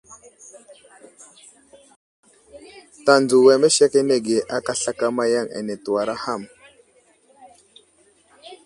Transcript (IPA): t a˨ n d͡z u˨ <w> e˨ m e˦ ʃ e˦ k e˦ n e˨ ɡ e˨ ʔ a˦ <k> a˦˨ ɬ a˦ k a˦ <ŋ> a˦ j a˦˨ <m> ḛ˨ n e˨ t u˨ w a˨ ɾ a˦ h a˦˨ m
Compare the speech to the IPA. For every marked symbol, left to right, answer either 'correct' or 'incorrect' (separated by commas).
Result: correct, correct, incorrect, incorrect